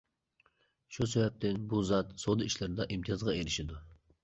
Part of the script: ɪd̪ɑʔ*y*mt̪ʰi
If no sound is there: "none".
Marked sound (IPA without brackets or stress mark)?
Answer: i